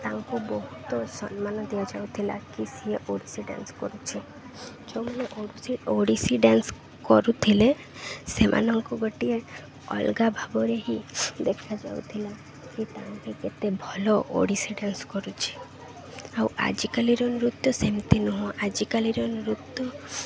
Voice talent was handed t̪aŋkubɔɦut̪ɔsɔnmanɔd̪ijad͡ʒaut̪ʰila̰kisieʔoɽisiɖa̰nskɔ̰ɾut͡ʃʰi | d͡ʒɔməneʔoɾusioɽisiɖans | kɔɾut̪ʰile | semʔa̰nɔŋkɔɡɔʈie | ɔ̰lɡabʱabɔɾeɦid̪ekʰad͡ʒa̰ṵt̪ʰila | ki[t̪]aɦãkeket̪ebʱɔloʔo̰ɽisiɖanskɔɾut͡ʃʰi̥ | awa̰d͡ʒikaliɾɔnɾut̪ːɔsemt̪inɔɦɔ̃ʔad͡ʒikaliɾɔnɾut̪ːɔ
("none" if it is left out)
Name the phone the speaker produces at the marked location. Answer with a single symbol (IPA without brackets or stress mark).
t̪